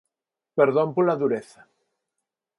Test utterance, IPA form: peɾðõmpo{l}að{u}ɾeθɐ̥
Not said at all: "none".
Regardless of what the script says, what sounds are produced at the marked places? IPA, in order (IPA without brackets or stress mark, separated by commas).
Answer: l, u